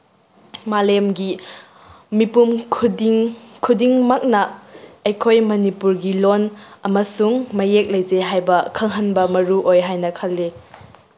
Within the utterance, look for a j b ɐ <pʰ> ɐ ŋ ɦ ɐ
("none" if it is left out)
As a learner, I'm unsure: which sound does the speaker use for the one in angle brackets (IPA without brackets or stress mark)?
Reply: kʰ